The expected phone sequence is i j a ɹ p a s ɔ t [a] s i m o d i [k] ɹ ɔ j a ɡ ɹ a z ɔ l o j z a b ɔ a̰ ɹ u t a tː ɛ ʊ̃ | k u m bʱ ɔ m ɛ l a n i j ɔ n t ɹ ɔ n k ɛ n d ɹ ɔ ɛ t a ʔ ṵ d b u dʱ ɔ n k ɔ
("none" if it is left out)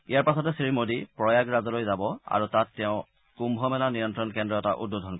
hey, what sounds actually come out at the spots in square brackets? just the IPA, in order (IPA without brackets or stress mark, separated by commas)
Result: ɛ, p